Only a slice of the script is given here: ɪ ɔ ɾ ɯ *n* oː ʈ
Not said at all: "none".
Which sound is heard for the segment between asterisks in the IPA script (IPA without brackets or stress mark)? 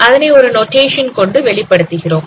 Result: n